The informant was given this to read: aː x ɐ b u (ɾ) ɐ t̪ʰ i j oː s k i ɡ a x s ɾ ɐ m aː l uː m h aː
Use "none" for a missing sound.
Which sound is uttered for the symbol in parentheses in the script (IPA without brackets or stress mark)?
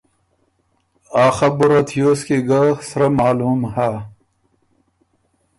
ɾ